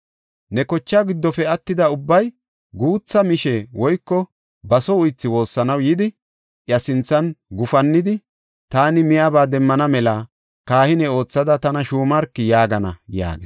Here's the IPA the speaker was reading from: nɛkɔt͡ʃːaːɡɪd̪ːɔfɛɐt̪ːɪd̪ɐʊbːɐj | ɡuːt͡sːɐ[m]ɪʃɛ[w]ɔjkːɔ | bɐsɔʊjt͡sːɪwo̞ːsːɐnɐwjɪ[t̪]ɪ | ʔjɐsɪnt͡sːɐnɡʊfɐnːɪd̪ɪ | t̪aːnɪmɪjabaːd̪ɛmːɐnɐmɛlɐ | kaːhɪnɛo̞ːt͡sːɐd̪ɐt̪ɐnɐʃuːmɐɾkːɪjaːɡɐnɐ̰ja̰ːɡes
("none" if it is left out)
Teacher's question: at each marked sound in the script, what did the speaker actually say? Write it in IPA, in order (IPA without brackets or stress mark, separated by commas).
m, w, d̪